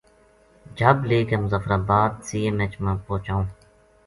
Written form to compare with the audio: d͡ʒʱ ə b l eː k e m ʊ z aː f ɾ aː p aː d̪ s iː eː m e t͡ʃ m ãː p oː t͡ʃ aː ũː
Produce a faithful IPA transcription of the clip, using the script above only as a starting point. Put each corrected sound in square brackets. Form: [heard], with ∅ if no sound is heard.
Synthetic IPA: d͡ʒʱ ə b l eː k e m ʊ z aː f ɾ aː [b] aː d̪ s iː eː m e t͡ʃ m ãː p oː t͡ʃ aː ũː